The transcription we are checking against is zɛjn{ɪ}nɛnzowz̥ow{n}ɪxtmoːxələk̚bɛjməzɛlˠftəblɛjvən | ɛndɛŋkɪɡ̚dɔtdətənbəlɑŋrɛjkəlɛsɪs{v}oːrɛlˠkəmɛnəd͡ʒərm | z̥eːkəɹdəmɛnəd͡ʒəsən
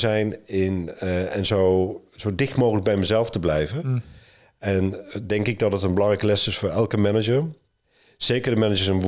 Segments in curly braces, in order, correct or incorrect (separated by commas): correct, incorrect, incorrect